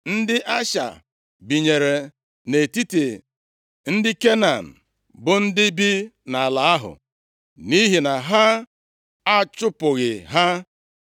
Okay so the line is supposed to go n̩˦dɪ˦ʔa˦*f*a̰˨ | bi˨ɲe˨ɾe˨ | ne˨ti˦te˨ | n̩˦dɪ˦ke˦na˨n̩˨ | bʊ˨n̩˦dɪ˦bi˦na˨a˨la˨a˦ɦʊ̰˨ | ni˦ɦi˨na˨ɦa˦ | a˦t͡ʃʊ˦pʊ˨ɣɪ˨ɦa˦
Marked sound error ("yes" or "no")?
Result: yes